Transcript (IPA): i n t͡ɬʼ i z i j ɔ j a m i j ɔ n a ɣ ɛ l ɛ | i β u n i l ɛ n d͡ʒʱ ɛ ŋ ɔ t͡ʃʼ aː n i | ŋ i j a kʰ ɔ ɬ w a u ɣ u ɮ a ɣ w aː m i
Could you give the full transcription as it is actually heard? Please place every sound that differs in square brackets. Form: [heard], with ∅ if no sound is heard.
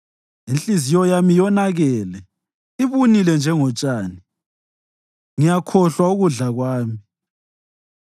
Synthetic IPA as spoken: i n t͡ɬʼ i z i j ɔ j a m i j ɔ n a ɣ ɛ l ɛ | i β u n i l ɛ n d͡ʒʱ ɛ ŋ ɔ t͡ʃʼ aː n i | ŋ i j a kʰ ɔ ɬ w a u ɣ u ɮ a ɣ w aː m i